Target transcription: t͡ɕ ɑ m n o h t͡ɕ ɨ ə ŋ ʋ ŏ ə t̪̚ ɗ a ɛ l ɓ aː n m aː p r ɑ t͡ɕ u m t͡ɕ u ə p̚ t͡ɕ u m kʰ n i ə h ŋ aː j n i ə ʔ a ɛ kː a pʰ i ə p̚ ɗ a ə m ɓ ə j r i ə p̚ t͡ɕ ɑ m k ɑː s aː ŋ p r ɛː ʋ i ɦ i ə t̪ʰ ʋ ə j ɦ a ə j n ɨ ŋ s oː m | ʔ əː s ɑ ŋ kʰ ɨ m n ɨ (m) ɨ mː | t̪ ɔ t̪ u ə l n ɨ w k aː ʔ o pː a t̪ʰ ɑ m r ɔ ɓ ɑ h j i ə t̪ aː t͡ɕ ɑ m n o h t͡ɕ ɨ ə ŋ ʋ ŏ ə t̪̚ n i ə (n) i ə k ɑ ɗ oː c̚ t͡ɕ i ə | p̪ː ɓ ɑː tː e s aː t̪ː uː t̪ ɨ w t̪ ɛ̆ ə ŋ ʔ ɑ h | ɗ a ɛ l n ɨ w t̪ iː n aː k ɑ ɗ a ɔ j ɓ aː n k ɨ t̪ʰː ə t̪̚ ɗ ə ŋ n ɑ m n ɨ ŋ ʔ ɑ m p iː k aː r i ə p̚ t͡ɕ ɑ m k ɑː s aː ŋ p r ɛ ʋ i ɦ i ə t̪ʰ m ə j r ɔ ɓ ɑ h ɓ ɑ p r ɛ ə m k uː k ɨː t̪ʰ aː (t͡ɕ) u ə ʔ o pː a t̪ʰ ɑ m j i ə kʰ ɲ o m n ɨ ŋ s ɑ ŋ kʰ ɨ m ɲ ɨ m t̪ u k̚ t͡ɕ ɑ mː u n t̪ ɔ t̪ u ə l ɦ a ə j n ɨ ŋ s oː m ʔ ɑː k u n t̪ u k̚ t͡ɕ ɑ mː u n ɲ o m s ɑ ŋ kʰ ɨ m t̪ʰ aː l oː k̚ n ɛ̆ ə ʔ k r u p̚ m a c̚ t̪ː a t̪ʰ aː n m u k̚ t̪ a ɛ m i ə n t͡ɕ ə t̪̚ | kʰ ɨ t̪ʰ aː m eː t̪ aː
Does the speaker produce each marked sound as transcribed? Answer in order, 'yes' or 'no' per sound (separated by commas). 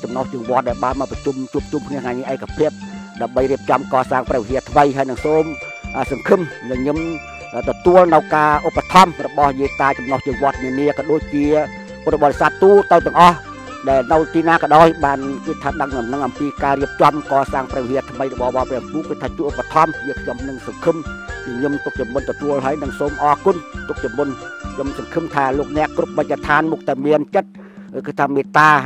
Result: no, yes, yes